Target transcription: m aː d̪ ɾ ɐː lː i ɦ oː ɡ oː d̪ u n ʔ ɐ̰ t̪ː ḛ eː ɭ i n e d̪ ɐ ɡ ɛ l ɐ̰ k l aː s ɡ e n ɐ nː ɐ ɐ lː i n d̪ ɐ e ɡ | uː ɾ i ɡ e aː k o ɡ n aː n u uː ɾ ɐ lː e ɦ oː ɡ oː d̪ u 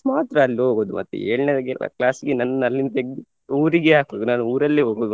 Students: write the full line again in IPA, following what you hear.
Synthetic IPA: m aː t̪ ɾ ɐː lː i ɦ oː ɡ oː d̪ u m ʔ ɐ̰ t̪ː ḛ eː ɭ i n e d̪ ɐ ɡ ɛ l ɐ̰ k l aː s ɡ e n ɐ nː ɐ ɐ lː i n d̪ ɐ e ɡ | uː ɾ i ɡ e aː k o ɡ n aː n u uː ɾ ɐ lː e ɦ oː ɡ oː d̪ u